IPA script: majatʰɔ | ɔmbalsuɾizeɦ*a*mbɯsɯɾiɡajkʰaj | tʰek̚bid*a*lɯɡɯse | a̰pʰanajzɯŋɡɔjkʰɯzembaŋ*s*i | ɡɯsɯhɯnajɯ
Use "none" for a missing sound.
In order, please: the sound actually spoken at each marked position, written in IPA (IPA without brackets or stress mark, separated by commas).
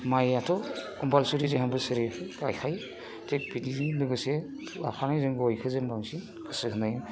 a, i, s